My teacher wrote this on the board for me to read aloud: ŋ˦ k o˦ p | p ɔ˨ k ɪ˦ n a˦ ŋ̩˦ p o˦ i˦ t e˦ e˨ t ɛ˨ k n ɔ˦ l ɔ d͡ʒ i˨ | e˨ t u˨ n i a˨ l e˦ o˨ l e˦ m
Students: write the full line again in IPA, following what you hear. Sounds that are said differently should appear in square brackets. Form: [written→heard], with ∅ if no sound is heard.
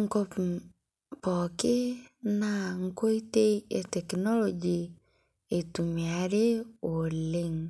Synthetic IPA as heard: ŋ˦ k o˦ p | p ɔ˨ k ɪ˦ n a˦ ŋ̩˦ [p→k] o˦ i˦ t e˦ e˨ t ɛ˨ k n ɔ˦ l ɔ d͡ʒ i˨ | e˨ t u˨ [n→m] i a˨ [l→ɾ] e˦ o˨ l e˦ [m→ŋ]